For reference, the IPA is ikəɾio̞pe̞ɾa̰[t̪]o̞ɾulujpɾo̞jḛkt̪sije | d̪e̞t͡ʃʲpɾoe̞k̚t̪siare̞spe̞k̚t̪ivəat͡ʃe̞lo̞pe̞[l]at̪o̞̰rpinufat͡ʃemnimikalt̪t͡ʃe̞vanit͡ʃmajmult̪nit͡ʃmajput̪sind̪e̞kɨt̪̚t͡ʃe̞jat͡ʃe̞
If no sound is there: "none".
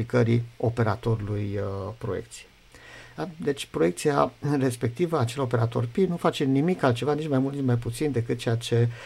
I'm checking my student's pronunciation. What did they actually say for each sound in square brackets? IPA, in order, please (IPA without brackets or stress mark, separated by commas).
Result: t̪, ɾ